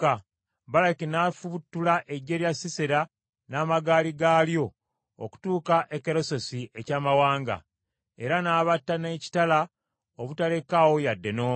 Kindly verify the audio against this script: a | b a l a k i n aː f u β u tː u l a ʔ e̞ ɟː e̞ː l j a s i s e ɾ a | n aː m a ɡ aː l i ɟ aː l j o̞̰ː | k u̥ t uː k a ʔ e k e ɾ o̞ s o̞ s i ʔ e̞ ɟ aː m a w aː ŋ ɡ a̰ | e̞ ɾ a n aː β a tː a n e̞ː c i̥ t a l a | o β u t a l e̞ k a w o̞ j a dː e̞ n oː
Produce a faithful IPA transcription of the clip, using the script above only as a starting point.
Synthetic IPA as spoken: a | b a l a k i n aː f u β u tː u l a ʔ e̞ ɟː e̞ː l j a s i s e ɾ a | n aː m a ɡ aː l i ɡ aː l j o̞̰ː | k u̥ t uː k a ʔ e k e ɾ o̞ s o̞ s i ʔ e̞ c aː m a w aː ŋ ɡ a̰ | e̞ ɾ a n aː β a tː a n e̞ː c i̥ t a l a | o β u t a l e̞ k a w o̞ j a dː e̞ n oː